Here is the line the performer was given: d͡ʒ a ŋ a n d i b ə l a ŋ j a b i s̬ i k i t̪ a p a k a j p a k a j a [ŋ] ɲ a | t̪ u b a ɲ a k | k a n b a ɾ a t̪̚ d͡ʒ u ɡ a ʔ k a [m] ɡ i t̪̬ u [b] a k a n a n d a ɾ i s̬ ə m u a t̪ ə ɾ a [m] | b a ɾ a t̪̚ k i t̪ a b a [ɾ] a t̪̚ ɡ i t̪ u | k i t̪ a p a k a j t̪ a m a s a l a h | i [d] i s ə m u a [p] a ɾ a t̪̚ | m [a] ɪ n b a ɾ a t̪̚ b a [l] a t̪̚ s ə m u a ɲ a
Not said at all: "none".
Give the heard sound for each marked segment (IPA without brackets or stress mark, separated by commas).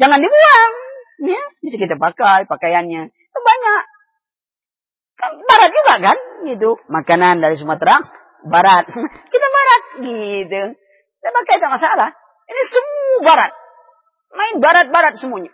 n, n, m, ŋ, ɾ, n, b, a, ɾ